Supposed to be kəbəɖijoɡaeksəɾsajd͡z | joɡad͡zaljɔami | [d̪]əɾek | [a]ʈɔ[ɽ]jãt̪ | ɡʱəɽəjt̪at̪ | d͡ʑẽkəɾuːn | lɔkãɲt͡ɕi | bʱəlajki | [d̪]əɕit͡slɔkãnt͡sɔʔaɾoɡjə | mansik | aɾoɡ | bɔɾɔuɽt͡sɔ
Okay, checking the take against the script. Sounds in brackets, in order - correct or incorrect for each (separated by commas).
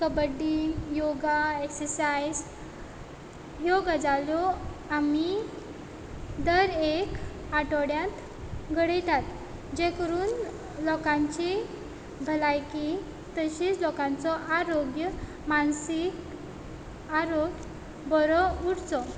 correct, correct, correct, incorrect